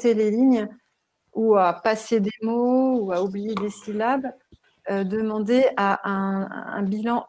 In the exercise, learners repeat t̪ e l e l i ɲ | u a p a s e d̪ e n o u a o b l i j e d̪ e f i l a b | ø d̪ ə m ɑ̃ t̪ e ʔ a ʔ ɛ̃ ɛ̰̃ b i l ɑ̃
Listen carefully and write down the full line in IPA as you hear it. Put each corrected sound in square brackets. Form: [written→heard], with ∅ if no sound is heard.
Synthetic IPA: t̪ e l e l i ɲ | u a p a s e d̪ e [n→m] o u a [o→u] b l i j e d̪ e [f→s] i l a b | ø d̪ ə m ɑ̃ [t̪→d̪] e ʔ a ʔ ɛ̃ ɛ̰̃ b i l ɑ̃